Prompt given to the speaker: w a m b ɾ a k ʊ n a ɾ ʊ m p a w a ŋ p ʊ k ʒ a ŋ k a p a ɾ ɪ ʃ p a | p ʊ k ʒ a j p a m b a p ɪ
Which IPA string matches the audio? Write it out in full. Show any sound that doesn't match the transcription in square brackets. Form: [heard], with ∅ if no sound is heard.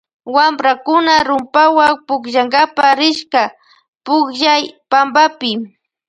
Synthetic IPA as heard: w a m b ɾ a k ʊ n a ɾ ʊ m p a w a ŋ p ʊ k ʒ a ŋ [ɡ] a p a ɾ ɪ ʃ [k] a | p ʊ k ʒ a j p a m b a p ɪ